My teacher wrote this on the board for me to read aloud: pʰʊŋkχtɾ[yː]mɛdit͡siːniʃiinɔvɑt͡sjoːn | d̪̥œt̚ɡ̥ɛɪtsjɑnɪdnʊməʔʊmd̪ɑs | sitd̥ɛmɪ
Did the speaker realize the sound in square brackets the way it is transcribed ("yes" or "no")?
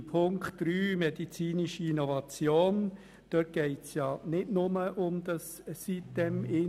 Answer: yes